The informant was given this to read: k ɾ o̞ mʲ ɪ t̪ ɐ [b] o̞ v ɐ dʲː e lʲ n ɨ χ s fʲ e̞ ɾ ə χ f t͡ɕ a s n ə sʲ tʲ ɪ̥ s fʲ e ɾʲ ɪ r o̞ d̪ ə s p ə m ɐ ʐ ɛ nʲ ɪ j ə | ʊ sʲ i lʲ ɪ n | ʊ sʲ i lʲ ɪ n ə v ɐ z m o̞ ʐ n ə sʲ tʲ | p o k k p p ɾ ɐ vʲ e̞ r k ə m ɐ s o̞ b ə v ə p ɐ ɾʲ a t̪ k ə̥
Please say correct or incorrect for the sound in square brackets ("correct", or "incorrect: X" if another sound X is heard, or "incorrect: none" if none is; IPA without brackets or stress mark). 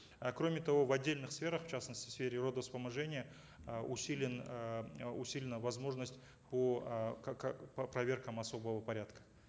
incorrect: v